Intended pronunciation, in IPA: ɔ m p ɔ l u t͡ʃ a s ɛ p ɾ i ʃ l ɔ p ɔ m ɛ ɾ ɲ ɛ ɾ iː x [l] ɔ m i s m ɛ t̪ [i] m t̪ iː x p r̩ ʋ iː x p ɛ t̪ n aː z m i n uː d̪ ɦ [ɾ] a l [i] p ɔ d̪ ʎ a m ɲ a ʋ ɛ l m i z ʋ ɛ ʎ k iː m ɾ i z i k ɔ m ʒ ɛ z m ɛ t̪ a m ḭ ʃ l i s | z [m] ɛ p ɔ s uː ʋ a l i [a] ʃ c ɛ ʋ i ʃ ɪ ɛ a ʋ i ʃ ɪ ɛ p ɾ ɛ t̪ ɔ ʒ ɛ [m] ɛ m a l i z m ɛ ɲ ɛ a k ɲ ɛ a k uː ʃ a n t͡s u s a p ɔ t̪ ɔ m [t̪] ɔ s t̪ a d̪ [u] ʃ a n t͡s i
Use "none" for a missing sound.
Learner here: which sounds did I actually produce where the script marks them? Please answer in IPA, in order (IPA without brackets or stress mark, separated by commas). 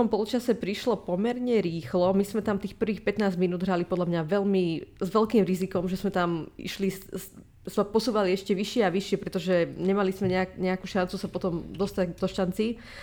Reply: l, a, ɾ, i, m, ɛ, ɲ, d̪, ɔ